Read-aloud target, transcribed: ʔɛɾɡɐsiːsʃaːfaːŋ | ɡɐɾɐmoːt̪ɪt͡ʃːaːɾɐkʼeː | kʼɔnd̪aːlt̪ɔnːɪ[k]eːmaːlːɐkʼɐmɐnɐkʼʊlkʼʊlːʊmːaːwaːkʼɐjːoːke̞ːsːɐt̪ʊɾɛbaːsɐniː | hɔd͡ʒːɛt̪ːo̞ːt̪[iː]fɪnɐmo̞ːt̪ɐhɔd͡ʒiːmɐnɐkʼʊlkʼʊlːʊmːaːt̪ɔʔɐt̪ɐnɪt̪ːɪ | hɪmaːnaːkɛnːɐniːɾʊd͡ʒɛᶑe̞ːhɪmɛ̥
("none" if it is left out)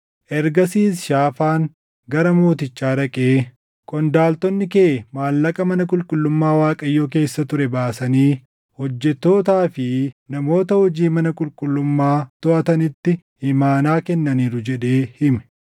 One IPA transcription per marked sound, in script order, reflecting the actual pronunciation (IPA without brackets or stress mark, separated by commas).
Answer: k, aː